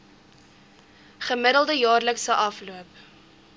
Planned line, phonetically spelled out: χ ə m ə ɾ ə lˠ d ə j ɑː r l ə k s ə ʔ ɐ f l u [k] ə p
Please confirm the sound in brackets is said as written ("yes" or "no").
no